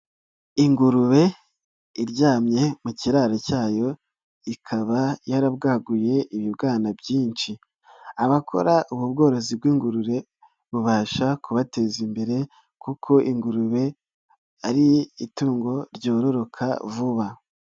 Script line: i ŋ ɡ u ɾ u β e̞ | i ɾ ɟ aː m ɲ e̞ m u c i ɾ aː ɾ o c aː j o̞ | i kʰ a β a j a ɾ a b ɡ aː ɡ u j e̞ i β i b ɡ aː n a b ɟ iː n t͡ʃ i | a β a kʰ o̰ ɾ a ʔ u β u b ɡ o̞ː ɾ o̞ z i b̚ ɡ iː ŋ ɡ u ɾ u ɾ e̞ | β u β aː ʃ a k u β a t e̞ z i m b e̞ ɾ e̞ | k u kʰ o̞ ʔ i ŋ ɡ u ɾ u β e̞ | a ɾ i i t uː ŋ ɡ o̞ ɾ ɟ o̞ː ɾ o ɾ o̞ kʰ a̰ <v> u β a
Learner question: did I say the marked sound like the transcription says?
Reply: yes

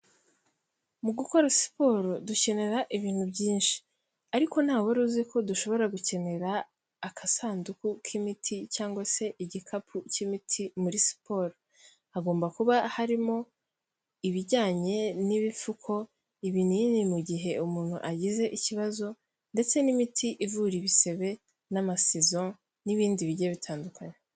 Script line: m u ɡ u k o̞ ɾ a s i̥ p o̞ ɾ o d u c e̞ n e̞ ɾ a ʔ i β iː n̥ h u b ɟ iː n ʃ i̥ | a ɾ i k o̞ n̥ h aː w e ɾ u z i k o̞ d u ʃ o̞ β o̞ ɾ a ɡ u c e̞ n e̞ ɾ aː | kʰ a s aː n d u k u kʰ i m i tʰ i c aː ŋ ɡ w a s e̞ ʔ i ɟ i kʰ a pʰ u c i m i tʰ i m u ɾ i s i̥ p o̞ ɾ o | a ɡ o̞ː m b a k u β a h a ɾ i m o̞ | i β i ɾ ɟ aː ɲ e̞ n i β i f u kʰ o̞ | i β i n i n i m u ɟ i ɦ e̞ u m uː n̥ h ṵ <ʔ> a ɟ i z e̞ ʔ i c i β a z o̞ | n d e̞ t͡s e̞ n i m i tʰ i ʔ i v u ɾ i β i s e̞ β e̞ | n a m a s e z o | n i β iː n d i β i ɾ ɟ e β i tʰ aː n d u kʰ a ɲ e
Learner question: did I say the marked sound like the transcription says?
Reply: yes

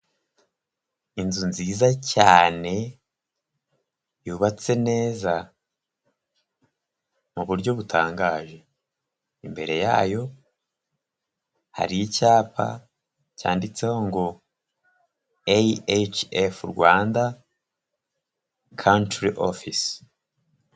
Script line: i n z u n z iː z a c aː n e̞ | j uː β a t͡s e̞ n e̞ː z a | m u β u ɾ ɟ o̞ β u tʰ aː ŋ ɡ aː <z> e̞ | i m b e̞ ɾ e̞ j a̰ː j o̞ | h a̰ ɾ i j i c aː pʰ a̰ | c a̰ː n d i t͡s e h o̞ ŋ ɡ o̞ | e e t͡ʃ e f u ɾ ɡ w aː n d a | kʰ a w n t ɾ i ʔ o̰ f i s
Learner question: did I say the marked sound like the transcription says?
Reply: no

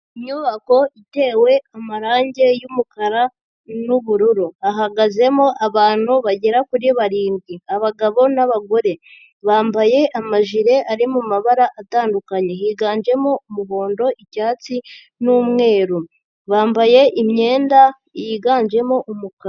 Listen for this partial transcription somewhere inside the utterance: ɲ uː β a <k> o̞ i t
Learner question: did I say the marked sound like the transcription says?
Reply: yes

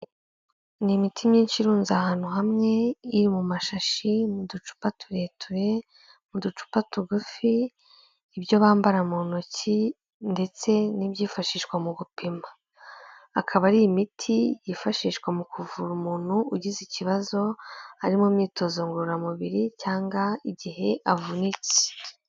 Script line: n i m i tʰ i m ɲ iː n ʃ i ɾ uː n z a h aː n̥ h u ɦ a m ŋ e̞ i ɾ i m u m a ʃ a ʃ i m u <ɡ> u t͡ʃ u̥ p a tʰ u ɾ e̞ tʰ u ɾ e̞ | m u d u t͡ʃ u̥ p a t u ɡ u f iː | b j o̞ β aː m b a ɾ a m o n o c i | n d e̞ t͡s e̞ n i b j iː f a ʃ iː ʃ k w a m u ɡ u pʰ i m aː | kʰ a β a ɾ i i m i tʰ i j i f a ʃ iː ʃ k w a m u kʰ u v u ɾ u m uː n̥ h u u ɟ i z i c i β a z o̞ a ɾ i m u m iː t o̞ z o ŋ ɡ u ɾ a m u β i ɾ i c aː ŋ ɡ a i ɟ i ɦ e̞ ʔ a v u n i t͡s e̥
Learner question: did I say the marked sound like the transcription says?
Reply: no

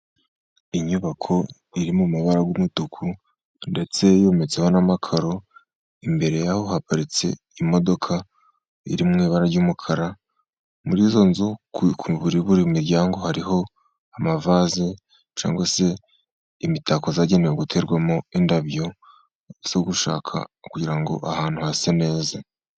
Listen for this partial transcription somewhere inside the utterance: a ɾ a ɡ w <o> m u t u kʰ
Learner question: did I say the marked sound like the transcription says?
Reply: no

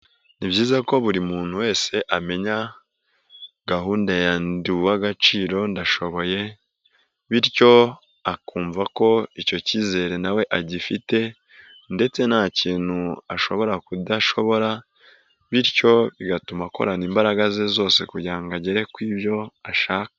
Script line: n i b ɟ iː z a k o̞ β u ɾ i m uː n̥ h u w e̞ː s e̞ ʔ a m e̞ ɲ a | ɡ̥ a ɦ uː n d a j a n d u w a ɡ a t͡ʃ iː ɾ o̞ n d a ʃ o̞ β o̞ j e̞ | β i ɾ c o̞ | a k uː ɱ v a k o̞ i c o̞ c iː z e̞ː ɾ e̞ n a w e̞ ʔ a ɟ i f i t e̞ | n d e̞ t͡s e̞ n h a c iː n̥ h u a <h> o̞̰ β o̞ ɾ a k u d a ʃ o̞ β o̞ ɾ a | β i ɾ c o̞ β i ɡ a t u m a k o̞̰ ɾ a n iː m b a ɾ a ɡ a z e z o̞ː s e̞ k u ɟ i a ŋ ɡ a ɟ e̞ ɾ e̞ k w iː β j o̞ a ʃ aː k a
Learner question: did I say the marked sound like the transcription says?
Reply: no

